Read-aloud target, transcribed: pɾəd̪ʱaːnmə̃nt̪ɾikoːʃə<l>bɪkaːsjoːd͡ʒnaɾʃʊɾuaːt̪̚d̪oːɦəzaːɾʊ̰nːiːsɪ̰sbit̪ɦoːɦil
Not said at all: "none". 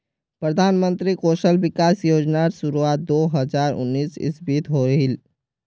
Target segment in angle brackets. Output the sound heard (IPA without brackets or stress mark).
l